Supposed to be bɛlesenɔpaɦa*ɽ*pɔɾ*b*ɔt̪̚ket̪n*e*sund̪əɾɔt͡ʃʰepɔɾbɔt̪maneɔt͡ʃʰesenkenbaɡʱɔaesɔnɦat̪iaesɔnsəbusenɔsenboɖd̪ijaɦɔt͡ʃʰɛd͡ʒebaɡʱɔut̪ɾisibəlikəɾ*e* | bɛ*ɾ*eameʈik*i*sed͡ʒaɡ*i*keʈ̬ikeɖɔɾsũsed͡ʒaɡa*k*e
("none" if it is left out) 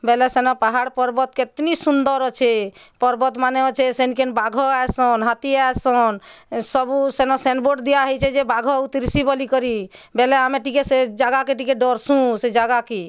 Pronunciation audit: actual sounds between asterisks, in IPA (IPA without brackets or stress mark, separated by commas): ɽ, b, i, i, l, e, a, k